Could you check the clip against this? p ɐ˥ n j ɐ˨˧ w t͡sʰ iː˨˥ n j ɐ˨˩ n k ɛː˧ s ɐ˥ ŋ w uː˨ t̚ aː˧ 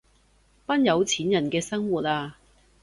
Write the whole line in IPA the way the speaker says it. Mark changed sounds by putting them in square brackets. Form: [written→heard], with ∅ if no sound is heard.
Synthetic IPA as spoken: p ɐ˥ n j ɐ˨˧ w t͡sʰ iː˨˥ n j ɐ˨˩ n k ɛː˧ s ɐ˥ ŋ w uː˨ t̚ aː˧